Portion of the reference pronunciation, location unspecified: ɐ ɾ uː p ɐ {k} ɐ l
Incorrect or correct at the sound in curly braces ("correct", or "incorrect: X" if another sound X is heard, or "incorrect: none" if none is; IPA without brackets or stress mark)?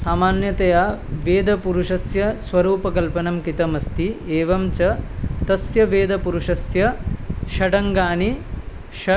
correct